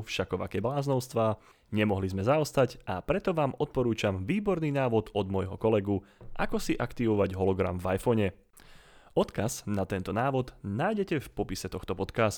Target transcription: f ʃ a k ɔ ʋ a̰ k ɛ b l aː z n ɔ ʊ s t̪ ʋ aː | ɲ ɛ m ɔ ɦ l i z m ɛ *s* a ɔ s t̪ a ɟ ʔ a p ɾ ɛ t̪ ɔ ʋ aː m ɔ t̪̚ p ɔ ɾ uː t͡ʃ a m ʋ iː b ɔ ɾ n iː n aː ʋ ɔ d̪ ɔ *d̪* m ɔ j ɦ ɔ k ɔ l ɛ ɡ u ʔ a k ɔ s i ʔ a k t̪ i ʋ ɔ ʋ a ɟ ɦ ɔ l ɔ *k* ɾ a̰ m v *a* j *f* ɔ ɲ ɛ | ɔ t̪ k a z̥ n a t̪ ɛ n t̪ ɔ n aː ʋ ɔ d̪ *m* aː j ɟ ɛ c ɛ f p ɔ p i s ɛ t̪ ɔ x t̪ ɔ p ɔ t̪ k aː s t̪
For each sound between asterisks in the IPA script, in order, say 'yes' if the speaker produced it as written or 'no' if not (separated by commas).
no, yes, no, yes, yes, no